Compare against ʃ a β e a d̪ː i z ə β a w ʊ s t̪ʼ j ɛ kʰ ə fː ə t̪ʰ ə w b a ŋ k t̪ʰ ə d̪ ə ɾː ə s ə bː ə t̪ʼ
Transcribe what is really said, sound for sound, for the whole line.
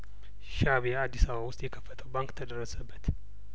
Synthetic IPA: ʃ a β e a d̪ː i s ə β a w ʊ s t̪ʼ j ɛ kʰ ə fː ə t̪ʰ ə w b a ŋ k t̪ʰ ə d̪ ə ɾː ə s ə bː ə t̪